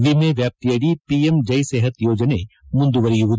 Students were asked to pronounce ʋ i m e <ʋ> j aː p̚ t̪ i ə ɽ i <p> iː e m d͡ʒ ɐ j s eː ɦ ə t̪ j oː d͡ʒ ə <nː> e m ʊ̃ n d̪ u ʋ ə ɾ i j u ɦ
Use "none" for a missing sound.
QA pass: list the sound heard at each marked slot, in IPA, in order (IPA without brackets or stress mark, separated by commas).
ʋ, p, n